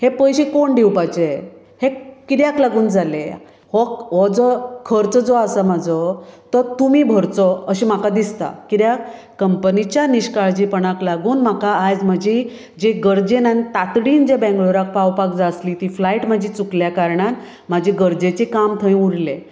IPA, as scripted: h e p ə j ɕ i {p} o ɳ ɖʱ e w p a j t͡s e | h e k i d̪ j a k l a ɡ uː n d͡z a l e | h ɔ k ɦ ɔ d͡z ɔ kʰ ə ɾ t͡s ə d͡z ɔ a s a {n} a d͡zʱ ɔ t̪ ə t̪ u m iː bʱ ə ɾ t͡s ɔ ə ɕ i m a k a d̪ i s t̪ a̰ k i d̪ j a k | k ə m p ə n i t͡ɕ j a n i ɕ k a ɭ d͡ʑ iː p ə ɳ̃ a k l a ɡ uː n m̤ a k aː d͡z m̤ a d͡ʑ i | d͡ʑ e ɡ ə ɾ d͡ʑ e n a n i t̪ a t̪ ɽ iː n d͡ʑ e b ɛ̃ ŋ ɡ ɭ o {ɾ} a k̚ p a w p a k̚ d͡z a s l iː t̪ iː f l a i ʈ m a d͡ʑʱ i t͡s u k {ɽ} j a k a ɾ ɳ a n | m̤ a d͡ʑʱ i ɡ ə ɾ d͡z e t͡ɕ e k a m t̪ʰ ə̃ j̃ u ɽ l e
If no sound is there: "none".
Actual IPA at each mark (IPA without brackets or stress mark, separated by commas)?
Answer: k, m, ɾ, l